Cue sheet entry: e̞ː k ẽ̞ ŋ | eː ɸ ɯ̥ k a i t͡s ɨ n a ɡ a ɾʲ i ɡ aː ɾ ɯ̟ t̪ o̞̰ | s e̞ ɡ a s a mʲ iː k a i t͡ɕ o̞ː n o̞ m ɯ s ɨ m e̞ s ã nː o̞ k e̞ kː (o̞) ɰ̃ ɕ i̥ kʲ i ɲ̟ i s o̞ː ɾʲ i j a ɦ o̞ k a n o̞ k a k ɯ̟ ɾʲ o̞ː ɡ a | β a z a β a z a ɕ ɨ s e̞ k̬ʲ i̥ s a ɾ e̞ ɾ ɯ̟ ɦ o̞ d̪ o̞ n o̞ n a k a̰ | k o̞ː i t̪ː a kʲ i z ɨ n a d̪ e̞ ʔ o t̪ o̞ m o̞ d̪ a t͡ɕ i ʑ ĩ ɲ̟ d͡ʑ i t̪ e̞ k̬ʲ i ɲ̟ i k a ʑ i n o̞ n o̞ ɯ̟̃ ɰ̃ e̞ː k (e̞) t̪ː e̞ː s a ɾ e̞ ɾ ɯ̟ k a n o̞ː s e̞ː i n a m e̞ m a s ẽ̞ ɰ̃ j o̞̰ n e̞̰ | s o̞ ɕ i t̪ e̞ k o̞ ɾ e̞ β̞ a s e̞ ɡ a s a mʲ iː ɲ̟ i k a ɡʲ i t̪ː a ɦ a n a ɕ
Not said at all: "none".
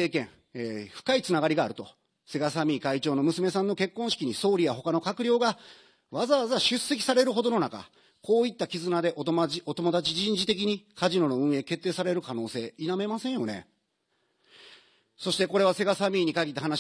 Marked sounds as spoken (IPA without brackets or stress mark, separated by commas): õ̞, e̞